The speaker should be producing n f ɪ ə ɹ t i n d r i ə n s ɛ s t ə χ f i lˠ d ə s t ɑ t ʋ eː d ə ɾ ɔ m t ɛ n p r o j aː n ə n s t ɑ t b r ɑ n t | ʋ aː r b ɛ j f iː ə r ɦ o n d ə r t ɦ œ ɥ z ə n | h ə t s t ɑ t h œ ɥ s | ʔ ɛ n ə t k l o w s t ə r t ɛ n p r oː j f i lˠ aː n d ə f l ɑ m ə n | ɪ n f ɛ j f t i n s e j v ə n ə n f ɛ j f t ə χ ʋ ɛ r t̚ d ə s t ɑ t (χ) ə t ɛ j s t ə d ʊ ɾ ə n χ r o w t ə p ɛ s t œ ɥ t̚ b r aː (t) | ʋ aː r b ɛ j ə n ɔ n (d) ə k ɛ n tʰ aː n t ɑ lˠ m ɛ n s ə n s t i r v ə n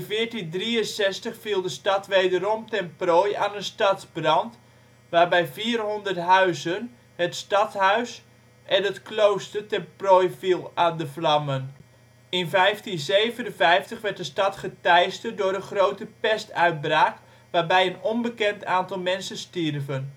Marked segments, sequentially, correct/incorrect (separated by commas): correct, incorrect, incorrect